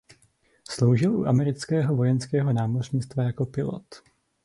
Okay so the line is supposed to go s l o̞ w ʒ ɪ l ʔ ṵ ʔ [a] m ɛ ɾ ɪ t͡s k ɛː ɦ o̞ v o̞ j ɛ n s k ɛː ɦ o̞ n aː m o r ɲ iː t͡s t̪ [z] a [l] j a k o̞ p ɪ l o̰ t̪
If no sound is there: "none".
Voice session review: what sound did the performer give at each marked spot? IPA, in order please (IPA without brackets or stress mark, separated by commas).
a, v, none